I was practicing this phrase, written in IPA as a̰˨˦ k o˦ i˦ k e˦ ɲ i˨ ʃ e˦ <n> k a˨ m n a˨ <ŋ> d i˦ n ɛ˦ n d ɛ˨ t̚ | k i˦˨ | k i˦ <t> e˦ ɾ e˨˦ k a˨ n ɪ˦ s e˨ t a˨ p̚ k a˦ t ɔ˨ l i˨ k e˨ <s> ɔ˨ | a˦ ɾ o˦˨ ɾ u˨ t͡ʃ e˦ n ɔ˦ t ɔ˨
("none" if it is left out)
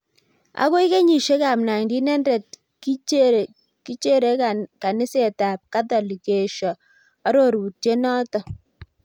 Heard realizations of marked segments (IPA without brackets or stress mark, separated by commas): none, ŋ, t͡ʃ, ʃ